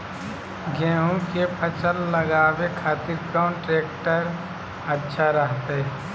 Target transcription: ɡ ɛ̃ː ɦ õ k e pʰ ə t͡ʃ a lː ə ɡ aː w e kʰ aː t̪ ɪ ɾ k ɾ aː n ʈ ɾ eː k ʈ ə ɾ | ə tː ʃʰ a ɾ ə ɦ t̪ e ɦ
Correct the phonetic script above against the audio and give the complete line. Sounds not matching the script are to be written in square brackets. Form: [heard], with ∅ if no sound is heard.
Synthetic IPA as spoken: ɡ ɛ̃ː ɦ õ k e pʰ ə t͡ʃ [ə] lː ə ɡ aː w e kʰ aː t̪ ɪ ɾ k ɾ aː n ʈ ɾ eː k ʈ ə ɾ | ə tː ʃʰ a ɾ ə ɦ t̪ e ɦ